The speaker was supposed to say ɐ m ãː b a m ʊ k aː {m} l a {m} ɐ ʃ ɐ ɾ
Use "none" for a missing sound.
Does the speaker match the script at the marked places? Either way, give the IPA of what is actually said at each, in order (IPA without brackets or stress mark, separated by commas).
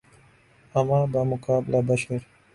b, b